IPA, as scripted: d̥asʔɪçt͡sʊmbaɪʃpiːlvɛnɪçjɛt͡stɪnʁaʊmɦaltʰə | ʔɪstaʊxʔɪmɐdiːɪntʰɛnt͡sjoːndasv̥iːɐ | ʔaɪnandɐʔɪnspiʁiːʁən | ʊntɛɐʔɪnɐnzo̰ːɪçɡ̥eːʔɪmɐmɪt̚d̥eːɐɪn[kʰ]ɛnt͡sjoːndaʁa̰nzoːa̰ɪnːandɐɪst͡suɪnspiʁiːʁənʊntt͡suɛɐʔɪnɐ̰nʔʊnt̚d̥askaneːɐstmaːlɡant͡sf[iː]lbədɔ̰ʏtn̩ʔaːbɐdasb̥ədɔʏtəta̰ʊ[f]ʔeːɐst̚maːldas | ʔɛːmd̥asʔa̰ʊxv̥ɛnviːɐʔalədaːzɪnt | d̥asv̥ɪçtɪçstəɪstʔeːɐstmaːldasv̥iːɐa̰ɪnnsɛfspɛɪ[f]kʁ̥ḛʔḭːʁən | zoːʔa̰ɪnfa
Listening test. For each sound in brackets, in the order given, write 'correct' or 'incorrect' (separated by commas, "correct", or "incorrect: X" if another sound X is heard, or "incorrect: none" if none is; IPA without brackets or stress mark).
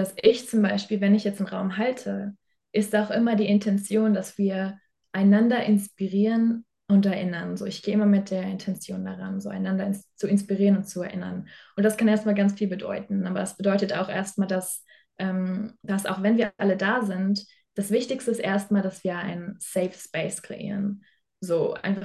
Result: incorrect: tʰ, correct, incorrect: x, incorrect: s